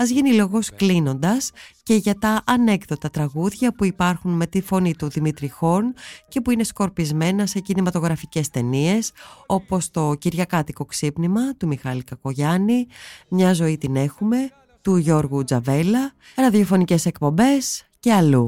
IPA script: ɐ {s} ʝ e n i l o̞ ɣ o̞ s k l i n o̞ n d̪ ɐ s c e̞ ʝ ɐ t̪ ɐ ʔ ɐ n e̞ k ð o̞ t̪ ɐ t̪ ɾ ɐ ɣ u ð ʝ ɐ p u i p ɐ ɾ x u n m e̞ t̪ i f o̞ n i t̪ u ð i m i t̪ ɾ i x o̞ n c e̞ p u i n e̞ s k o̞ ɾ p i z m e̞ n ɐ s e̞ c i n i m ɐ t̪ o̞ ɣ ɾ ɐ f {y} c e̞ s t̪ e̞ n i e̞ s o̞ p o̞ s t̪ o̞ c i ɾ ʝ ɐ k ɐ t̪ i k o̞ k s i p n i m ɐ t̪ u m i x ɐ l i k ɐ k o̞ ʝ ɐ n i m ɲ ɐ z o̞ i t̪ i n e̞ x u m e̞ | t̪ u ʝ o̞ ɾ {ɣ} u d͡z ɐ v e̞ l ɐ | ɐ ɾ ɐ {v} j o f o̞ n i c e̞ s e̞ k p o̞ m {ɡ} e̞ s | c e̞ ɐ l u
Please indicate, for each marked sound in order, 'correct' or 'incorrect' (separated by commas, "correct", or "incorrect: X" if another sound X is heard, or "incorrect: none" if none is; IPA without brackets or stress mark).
incorrect: z, incorrect: i, correct, incorrect: ð, incorrect: b